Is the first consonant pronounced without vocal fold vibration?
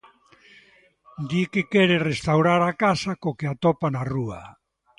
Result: no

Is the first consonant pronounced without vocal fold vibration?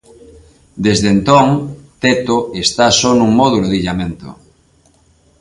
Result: no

